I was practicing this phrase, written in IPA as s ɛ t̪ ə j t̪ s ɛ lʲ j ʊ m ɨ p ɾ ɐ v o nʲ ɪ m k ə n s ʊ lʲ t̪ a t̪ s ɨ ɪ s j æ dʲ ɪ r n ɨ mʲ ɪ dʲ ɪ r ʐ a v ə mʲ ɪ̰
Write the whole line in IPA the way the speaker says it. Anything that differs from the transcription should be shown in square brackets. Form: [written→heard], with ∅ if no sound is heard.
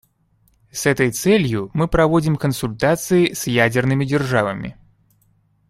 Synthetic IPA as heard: s ɛ t̪ ə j t̪ s ɛ lʲ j ʊ m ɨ p ɾ ɐ v o [nʲ→dʲ] ɪ m k ə n s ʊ lʲ t̪ a t̪ s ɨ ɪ s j æ dʲ ɪ r n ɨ mʲ ɪ dʲ ɪ r ʐ a v ə mʲ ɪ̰